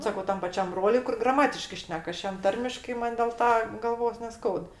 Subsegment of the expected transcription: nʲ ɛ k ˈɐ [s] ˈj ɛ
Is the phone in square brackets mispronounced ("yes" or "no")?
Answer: yes